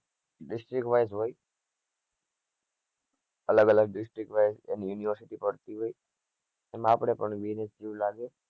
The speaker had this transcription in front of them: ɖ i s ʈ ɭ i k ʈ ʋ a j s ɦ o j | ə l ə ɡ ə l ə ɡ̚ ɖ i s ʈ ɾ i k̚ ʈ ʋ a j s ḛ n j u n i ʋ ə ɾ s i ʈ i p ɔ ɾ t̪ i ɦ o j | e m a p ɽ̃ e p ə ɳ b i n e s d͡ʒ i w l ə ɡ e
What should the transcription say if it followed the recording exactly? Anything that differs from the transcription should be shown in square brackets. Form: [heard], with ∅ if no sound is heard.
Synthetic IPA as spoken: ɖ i s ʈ [ɾ] i k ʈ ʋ a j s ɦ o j | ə l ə ɡ ə l ə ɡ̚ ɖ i s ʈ ɾ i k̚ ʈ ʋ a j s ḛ n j u n i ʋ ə ɾ s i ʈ i p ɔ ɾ t̪ i ɦ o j | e m a p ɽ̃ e p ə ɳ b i n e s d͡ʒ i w l [a] ɡ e